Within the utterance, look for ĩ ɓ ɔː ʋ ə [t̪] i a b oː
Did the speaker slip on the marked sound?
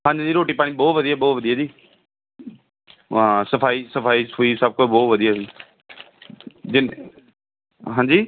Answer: yes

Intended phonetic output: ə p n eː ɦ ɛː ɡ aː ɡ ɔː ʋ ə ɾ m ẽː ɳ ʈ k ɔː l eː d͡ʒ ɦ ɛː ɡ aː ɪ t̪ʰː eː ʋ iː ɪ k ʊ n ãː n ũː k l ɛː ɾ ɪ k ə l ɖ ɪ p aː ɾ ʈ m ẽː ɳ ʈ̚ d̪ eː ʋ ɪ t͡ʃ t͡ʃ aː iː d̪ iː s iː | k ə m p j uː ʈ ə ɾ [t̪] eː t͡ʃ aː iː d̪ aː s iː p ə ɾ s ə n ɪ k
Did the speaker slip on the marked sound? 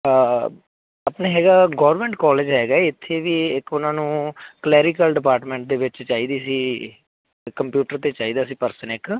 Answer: no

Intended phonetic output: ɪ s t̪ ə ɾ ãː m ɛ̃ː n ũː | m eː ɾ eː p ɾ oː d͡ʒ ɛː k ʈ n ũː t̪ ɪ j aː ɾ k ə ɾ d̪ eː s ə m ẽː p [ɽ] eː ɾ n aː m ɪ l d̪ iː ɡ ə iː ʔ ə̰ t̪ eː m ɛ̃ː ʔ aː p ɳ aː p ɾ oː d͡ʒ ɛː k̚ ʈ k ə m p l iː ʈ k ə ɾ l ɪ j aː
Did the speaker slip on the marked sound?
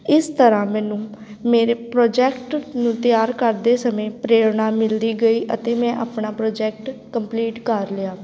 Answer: yes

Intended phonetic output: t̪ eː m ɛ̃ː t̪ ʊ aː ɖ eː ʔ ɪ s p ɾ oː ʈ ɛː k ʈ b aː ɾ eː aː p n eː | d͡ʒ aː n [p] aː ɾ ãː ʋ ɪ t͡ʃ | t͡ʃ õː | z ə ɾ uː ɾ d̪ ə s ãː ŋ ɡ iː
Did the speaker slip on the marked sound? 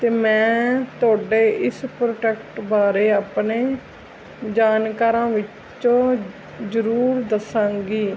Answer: yes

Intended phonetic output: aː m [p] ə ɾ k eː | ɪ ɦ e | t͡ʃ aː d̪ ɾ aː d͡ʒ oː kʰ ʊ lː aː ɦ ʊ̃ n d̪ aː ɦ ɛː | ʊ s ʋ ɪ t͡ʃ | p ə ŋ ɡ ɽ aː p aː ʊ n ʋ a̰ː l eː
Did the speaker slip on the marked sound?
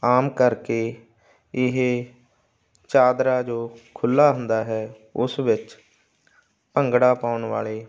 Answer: yes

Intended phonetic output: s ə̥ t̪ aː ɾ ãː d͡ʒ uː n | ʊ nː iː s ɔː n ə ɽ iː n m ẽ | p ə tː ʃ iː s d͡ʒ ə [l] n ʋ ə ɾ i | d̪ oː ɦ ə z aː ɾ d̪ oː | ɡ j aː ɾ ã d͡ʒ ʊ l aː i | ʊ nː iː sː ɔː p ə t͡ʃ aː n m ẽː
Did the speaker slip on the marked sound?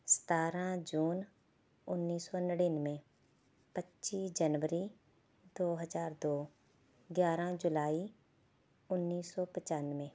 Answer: yes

